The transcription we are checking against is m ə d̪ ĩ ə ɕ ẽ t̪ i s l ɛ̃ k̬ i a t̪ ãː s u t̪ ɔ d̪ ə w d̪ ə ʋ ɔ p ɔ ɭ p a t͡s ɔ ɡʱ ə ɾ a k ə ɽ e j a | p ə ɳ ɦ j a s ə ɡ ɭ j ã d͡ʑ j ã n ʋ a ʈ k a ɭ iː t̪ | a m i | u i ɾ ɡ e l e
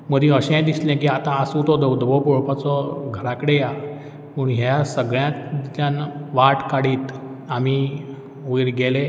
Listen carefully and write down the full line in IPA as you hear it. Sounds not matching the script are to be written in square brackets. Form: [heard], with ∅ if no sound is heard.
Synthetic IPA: m ə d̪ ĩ ə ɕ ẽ [d̪] i s l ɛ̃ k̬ i a t̪ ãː s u t̪ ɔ d̪ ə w d̪ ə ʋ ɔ p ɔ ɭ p a t͡s ɔ ɡʱ ə ɾ a k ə ɽ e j a | p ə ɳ ɦ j a s ə ɡ ɭ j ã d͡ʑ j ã n ʋ a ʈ k a [ɽ] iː t̪ | a m i | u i ɾ ɡ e l e

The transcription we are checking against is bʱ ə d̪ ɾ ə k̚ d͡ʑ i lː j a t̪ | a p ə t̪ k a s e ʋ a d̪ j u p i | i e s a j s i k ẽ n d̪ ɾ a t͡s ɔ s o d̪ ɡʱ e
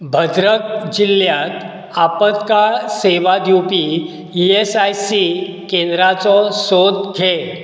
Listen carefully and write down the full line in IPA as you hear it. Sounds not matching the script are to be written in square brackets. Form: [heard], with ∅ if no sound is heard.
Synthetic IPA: bʱ ə d̪ ɾ ə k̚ d͡ʑ i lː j a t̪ | a p ə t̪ k a s e ʋ a d̪ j u p i | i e s a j s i k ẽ n d̪ ɾ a t͡s ɔ s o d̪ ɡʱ e

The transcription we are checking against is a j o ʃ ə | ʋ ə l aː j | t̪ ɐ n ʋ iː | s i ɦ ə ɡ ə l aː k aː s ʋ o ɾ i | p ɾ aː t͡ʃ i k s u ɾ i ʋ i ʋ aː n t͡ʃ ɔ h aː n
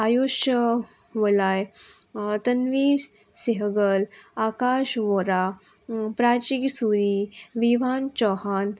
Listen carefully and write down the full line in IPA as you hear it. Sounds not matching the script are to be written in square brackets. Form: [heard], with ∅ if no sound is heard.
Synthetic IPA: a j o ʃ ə | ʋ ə l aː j | t̪ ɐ n ʋ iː | s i ɦ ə ɡ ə l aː k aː [ʃ] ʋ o ɾ [a] | p ɾ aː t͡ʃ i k s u ɾ i ʋ i ʋ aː n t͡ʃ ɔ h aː n

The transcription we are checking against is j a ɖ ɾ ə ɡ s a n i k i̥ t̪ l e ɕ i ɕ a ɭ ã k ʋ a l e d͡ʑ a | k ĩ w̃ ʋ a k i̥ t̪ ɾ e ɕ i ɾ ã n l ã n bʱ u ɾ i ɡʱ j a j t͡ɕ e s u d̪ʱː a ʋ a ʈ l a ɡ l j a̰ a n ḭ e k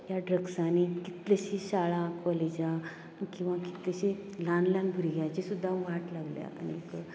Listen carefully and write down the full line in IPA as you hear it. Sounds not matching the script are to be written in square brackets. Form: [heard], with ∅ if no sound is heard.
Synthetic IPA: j a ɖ ɾ ə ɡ s a n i k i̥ t̪ l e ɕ i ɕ a ɭ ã k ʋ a l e d͡ʑ a | k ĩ w̃ ʋ a k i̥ t̪ [l] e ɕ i [l] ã n l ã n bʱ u ɾ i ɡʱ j a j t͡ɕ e s u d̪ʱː a ʋ a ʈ l a ɡ l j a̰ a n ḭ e k

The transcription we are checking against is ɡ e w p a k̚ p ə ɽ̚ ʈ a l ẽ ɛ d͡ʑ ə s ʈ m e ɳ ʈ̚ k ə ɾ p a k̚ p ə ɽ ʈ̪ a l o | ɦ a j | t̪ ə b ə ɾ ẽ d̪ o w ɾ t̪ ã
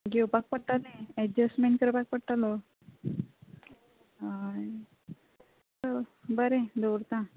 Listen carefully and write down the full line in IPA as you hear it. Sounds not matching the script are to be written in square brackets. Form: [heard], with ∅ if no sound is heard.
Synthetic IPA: ɡ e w p a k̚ p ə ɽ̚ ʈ a l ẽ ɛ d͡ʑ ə s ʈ m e ɳ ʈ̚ k ə ɾ p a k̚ p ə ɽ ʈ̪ a l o | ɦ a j | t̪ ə b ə ɾ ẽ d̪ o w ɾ t̪ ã

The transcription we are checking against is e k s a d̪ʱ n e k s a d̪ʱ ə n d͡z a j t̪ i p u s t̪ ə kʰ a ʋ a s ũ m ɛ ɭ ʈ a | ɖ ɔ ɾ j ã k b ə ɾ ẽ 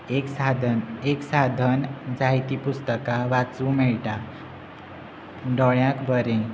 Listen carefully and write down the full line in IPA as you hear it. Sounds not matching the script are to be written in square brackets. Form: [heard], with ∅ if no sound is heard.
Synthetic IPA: e k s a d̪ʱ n e k s a d̪ʱ ə n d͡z a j t̪ i p u s t̪ ə [k] a ʋ a [t͡s] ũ m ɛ ɭ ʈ a | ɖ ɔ [ɭ] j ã k b ə ɾ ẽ

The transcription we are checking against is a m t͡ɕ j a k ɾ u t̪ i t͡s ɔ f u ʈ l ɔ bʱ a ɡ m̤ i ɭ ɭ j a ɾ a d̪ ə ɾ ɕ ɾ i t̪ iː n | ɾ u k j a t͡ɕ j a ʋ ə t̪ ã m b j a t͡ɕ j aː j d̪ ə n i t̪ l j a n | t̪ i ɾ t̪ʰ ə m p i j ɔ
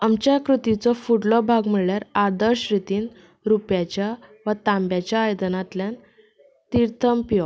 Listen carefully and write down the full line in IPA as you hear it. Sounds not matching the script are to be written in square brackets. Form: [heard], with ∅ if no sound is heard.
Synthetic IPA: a m t͡ɕ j a k ɾ u t̪ i t͡s ɔ f u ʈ l ɔ bʱ a ɡ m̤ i ɭ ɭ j a ɾ a d̪ ə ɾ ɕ ɾ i t̪ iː n | ɾ u [p] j a t͡ɕ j a ʋ ə t̪ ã m b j a t͡ɕ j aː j d̪ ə n [a] t̪ l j a n | t̪ i ɾ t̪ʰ ə m p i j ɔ

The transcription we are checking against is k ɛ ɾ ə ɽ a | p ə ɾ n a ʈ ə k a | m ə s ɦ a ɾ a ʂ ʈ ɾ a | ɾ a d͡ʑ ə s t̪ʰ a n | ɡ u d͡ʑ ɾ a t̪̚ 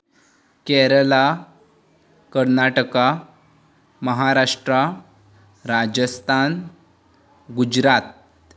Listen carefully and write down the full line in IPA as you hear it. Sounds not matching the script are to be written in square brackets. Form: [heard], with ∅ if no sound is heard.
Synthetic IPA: k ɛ ɾ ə [l] a | [k] ə ɾ n a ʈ ə k a | m ə [∅] ɦ a ɾ a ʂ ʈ ɾ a | ɾ a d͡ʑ ə s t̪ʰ a n | ɡ u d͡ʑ ɾ a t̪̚

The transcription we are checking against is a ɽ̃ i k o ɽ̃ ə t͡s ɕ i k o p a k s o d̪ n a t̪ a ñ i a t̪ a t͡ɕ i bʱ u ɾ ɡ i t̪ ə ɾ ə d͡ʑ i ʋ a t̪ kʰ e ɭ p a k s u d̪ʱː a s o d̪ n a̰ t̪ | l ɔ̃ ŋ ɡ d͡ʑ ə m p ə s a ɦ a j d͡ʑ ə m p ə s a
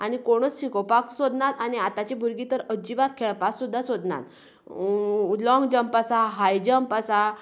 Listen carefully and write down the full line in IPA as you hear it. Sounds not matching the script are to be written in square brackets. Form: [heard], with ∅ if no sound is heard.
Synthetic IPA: a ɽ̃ i k o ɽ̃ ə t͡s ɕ i k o p a k s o d̪ n a t̪ a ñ i a t̪ a t͡ɕ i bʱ u ɾ ɡ i t̪ ə ɾ ə d͡ʑ i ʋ a t̪ kʰ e ɭ p a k s u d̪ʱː a s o d̪ n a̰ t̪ | l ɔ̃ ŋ ɡ d͡ʑ ə m p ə s a ɦ a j d͡ʑ ə m p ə s a

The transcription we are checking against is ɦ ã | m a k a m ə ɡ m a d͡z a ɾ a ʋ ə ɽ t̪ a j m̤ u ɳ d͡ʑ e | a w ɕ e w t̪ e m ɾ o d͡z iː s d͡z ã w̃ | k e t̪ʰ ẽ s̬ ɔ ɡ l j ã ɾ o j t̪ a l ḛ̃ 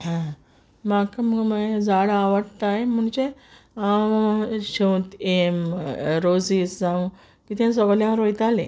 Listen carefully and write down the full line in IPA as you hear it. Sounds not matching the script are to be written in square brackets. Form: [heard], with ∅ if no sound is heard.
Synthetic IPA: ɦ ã | m a k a m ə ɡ m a d͡z a [ɽ] a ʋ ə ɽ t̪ a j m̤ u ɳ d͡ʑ e | a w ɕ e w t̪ e m ɾ o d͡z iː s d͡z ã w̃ | k [i] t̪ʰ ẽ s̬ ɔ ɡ l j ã ɾ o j t̪ a l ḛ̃

